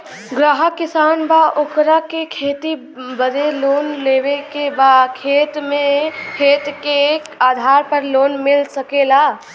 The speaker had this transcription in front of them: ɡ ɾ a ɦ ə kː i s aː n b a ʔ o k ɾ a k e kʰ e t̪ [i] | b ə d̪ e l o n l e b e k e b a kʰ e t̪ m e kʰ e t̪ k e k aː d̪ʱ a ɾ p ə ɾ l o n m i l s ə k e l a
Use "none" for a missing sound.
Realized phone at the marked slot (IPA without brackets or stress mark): i